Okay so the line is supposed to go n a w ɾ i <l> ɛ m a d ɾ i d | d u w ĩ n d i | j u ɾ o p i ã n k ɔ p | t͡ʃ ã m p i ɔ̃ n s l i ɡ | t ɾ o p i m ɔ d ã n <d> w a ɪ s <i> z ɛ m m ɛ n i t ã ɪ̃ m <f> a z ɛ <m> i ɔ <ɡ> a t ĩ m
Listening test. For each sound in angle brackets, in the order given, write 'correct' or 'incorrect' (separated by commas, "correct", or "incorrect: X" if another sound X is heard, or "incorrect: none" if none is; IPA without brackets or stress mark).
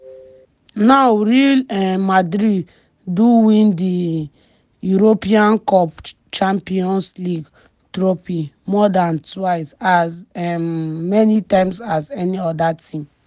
correct, incorrect: t, incorrect: a, incorrect: s, incorrect: n, incorrect: d